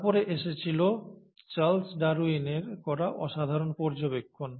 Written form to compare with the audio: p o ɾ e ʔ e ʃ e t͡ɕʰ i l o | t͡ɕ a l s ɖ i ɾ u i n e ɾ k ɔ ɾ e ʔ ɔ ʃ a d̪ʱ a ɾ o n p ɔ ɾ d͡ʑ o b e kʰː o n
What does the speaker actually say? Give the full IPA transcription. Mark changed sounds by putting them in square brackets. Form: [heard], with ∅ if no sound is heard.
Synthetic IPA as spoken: p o ɾ e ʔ e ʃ e t͡ɕʰ i l o | t͡ɕ a l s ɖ [a] ɾ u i n e ɾ k ɔ ɾ [a] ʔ ɔ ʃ a d̪ʱ a ɾ o n p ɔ ɾ d͡ʑ o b e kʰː o n